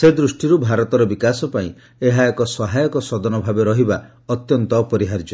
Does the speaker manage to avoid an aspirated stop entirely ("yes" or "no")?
yes